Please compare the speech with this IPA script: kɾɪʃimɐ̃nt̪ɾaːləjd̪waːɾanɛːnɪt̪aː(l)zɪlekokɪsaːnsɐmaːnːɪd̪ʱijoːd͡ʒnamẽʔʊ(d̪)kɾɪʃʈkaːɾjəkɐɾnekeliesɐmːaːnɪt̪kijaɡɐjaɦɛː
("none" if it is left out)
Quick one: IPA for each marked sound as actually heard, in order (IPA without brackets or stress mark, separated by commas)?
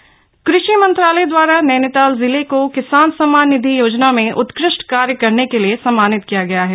l, t̪